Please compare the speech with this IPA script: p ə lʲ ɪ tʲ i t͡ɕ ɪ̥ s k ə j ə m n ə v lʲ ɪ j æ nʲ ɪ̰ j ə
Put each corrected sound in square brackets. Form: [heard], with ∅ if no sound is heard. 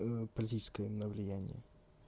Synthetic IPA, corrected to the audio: p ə lʲ ɪ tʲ i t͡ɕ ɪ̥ s k ə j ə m n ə v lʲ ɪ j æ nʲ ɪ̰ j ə